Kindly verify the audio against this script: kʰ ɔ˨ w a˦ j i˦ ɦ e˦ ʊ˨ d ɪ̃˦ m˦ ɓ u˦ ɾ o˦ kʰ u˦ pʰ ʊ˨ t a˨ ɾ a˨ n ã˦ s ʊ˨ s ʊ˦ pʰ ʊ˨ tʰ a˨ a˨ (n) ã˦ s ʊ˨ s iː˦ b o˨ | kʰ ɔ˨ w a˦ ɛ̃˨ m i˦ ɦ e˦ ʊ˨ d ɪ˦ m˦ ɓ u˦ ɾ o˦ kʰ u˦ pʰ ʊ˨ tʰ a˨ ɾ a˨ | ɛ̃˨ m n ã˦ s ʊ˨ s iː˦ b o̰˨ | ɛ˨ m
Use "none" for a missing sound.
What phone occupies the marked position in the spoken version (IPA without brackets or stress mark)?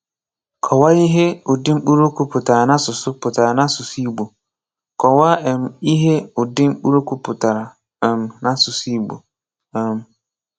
n